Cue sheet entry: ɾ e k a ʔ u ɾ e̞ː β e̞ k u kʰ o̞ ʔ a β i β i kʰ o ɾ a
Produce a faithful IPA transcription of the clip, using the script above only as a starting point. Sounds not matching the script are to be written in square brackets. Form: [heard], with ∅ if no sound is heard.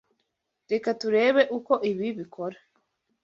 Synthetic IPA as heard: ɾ e k a [t] u ɾ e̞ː β e̞ [ʔ] u [k] o̞ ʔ [i] β i β i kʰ o ɾ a